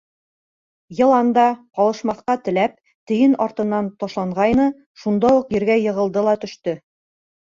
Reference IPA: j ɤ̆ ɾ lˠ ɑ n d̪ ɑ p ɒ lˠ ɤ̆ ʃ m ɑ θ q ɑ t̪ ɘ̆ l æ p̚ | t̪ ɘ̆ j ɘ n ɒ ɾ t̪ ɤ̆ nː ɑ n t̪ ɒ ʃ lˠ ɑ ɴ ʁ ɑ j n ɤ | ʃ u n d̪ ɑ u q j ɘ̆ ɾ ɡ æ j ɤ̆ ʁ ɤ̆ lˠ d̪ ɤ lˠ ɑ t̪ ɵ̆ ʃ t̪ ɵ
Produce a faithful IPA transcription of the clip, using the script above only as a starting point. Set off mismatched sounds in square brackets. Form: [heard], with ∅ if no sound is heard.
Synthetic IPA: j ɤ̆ [∅] lˠ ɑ n d̪ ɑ [q] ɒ lˠ ɤ̆ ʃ m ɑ θ q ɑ t̪ ɘ̆ l æ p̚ | t̪ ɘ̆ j ɘ n ɒ ɾ t̪ ɤ̆ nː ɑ n t̪ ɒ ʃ lˠ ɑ ɴ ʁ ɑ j n ɤ | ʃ u n d̪ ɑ u q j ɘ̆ ɾ ɡ æ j ɤ̆ ʁ ɤ̆ lˠ d̪ ɤ lˠ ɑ t̪ ɵ̆ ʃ t̪ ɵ